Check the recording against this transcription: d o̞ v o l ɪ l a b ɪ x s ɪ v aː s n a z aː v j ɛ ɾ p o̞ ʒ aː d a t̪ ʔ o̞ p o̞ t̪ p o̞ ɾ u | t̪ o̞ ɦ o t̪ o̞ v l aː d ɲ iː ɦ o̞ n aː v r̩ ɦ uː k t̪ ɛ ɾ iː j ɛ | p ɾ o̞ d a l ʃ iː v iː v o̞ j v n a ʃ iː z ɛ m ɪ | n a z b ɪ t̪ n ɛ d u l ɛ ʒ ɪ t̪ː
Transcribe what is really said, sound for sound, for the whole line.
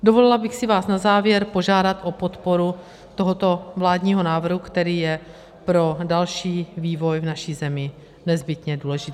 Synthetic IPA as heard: d o̞ v o l ɪ l a b ɪ x s ɪ v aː s n a z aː v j ɛ ɾ p o̞ ʒ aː d a t̪ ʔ o̞ p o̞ t̪ p o̞ ɾ u | t̪ o̞ ɦ o t̪ o̞ v l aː d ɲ iː ɦ o̞ n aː v r̩ ɦ u k t̪ ɛ ɾ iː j ɛ | p ɾ o̞ d a l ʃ iː v iː v o̞ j v n a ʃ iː z ɛ m ɪ | n ɛ z b ɪ t̪ ɲ ɛ d uː l ɛ ʒ ɪ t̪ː

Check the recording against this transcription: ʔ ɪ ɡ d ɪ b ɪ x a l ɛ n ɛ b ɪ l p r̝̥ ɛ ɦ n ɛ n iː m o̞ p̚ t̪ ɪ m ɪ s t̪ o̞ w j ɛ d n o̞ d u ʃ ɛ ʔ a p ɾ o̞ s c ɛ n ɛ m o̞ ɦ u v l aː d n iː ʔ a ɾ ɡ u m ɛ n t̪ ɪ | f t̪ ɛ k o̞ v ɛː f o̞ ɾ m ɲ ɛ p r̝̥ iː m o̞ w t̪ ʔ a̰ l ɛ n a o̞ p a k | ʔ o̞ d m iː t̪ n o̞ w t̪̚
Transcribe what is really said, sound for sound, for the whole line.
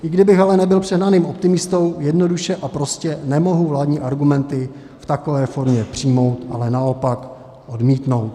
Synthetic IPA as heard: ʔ ɪ ɡ d ɪ b ɪ x a l ɛ n ɛ b ɪ l p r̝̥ ɛ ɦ n a n iː m o̞ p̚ t̪ ɪ m ɪ s t̪ o̞ w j ɛ d n o̞ d u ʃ ɛ ʔ a p ɾ o̞ s c ɛ n ɛ m o̞ ɦ u v l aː d ɲ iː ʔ a ɾ ɡ u m ɛ n t̪ ɪ | f t̪ a k o̞ v ɛː f o̞ ɾ m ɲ ɛ p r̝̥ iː m o̞ w t̪ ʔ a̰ l ɛ n a o̞ p a k | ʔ o̞ d m iː t̪ n o̞ w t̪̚

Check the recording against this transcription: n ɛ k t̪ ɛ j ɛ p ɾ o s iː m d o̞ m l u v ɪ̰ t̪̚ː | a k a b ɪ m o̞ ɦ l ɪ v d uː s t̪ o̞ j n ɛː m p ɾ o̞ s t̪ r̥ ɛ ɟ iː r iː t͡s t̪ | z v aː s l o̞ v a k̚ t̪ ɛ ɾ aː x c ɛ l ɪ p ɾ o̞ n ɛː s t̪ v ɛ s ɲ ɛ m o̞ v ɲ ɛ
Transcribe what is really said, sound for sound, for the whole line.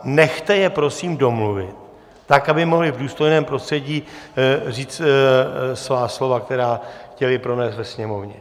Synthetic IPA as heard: n ɛ x t̪ ɛ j ɛ p ɾ o s iː m d o̞ m l u v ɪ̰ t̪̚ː | a k a b ɪ m o̞ ɦ l ɪ v d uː s t̪ o̞ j n ɛː m p ɾ o̞ s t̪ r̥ ɛ ɟ iː r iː t͡s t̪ | s v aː s l o̞ v a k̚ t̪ ɛ ɾ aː x c ɛ l ɪ p ɾ o̞ n ɛː s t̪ v ɛ s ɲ ɛ m o̞ v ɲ ɛ

